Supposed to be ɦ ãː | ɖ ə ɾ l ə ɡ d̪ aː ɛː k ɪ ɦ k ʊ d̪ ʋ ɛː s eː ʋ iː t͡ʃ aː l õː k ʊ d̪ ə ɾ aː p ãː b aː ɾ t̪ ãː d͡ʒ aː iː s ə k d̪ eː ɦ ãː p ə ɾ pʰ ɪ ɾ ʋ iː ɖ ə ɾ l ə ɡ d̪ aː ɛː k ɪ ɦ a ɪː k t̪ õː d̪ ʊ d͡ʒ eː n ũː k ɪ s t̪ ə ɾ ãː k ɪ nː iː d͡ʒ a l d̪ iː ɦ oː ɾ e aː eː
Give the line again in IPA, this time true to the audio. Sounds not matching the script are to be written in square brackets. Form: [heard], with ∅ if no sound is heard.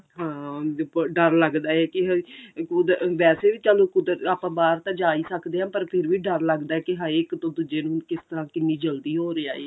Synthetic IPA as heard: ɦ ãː | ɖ ə ɾ l ə ɡ d̪ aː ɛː k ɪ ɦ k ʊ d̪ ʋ ɛː s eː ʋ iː t͡ʃ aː l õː k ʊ d̪ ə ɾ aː p ãː b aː ɾ t̪ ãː d͡ʒ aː iː s ə k d̪ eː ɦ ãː p ə ɾ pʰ ɪ ɾ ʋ iː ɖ ə ɾ l ə ɡ d̪ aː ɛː k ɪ ɦ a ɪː k t̪ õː d̪ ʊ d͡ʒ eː n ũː k ɪ s t̪ ə ɾ ãː k ɪ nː iː d͡ʒ [ə] l d̪ iː ɦ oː ɾ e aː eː